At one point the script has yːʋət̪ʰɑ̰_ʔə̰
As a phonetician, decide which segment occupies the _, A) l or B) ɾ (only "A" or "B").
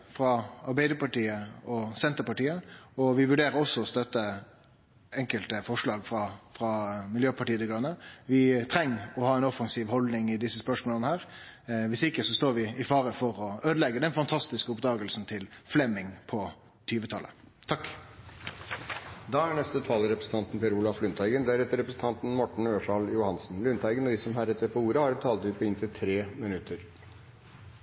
A